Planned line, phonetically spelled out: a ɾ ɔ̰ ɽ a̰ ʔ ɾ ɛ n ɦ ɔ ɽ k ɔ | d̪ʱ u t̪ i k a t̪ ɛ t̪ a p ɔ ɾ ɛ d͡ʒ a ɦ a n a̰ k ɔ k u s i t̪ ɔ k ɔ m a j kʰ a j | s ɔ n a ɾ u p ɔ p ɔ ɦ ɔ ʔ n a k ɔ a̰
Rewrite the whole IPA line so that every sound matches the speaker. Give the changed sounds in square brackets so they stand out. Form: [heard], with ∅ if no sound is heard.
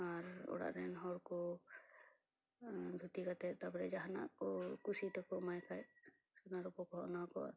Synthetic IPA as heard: a ɾ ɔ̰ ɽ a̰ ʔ ɾ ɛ n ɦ ɔ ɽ k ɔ | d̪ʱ u t̪ i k a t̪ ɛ t̪ a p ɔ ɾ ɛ d͡ʒ a ɦ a n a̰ k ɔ k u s i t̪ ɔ k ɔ m a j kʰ a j | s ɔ n a ɾ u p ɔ [k] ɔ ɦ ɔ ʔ n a k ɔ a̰